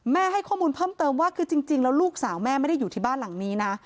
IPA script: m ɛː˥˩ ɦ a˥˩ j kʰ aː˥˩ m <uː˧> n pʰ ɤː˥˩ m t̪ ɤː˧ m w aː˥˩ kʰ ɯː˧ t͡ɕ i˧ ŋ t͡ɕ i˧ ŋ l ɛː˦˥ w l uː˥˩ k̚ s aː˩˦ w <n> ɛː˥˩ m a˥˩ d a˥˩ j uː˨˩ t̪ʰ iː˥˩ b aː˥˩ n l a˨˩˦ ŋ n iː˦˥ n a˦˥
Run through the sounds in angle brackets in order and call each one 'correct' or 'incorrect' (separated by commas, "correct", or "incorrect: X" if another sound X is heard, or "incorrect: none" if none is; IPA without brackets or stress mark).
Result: correct, incorrect: m